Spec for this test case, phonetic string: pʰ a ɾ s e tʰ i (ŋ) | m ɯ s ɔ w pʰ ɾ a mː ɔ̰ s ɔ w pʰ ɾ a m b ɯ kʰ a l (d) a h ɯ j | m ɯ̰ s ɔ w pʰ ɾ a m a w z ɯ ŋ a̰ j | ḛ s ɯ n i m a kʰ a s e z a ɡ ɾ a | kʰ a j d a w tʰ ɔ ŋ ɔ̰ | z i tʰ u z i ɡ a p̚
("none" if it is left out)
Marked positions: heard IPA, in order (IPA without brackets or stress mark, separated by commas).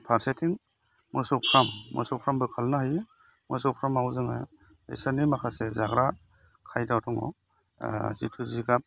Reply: ŋ, n